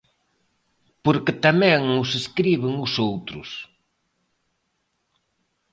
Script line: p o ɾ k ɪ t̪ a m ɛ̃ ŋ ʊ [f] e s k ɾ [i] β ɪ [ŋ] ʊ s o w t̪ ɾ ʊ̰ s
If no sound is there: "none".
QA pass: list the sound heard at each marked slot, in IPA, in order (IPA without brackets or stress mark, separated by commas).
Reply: s, i, ŋ